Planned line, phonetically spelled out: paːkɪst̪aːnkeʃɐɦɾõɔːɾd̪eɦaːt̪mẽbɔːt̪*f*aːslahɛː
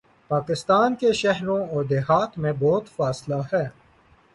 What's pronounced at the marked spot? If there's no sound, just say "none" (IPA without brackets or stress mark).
f